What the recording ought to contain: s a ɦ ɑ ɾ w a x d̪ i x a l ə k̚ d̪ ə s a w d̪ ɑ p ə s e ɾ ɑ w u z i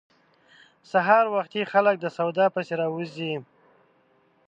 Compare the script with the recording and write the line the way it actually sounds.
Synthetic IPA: s a ɦ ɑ ɾ w a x t̪ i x a l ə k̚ d̪ ə s a w d̪ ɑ p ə s e ɾ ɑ w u z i